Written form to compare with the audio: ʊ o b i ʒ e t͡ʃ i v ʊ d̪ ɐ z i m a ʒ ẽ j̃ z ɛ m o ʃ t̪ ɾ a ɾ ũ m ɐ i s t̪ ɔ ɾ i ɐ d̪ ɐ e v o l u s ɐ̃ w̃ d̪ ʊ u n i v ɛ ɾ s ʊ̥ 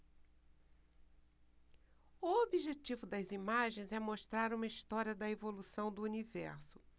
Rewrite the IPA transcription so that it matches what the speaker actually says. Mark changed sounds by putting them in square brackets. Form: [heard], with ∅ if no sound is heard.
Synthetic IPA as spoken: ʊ o b i ʒ e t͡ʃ i v ʊ d̪ ɐ z i m a ʒ ẽ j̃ z ɛ m o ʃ t̪ ɾ a ɾ ũ m ɐ i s t̪ ɔ ɾ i ɐ d̪ ɐ e v o l u s ɐ̃ w̃ d̪ ʊ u n i v ɛ ɾ s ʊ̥